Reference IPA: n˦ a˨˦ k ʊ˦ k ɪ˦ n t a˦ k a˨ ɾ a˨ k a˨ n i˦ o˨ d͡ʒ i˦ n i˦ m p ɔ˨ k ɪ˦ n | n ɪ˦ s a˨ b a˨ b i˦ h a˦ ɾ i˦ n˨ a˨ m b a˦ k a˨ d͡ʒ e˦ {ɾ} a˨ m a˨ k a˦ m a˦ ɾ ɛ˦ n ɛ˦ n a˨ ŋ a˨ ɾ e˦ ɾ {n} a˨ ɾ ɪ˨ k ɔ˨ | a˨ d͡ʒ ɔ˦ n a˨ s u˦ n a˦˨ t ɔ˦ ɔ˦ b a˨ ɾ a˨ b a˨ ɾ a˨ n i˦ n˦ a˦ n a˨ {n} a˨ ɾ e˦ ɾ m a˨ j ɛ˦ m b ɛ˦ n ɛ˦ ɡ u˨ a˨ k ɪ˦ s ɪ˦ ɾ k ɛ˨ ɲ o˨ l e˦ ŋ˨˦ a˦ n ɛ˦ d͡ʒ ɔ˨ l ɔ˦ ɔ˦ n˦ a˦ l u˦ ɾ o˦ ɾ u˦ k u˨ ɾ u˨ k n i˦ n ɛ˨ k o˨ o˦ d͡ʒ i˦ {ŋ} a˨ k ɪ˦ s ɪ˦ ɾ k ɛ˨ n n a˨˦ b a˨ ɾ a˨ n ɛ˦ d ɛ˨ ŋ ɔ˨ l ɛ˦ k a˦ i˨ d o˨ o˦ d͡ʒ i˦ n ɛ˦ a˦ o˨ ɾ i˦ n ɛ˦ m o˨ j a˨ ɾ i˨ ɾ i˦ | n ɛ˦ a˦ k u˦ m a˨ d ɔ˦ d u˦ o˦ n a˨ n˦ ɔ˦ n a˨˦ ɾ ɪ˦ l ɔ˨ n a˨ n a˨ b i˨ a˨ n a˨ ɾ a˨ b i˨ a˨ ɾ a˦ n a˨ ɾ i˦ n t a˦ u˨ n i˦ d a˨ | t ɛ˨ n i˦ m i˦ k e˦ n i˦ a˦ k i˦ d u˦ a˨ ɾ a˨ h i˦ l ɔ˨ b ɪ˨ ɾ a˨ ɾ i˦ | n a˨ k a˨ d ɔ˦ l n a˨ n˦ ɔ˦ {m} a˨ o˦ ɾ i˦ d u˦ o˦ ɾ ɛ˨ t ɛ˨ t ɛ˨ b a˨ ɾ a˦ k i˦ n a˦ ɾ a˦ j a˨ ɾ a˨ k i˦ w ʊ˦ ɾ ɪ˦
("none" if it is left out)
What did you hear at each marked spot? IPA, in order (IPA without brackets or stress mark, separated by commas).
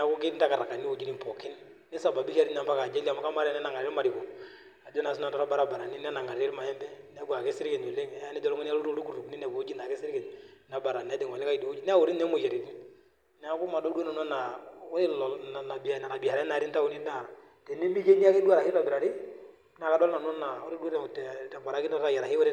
l, m, ŋ, n, n